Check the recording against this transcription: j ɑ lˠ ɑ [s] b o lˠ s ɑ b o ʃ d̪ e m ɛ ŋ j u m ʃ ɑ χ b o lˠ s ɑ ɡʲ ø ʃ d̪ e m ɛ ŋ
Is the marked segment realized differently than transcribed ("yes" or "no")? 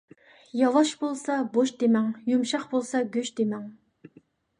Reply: yes